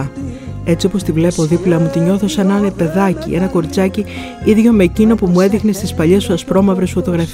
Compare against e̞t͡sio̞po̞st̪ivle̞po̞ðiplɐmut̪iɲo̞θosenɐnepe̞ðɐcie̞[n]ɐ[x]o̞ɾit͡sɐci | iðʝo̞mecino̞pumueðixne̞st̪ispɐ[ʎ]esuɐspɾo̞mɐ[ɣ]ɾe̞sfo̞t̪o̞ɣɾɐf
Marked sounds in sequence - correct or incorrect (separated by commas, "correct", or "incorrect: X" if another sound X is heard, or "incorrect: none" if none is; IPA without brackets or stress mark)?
correct, incorrect: k, correct, incorrect: v